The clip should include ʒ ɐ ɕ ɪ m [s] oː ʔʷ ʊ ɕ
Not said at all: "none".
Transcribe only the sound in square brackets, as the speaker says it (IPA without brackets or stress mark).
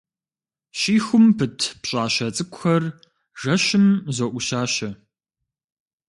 z